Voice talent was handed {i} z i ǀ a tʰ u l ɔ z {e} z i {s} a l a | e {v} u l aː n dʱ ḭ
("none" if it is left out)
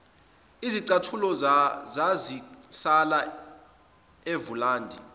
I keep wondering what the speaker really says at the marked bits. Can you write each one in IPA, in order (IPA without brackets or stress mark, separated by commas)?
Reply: i, a, s, v